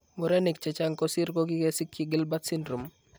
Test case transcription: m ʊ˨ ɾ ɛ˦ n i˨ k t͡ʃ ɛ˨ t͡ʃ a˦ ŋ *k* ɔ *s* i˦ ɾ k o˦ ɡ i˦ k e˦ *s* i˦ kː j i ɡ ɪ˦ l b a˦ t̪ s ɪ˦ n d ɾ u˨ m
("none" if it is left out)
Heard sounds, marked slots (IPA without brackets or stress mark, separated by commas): k, s, s